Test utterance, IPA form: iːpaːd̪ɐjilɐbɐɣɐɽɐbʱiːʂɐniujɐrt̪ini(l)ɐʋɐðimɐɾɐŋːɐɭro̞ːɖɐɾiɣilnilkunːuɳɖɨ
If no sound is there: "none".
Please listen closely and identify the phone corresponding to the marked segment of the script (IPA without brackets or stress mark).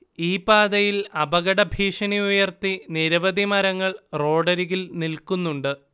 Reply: ɾ